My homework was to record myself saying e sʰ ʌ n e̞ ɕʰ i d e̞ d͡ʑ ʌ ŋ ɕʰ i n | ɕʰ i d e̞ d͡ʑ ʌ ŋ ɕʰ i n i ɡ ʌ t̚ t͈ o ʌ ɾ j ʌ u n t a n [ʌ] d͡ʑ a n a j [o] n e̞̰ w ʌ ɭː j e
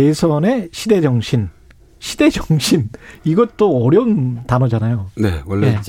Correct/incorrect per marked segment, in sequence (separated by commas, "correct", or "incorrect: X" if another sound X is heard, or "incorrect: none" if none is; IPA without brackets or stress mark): correct, correct